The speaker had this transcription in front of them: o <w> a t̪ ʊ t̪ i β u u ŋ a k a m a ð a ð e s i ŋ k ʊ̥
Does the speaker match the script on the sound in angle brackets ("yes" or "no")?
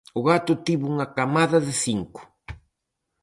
no